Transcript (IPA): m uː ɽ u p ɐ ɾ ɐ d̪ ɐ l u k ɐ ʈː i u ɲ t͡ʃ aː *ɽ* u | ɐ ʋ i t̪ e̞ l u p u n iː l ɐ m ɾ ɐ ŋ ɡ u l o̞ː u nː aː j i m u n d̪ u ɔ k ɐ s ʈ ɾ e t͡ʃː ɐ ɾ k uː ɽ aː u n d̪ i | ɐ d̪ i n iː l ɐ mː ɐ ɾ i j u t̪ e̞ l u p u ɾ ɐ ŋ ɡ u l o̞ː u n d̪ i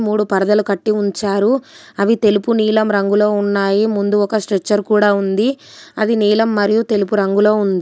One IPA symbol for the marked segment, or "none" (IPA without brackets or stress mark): ɾ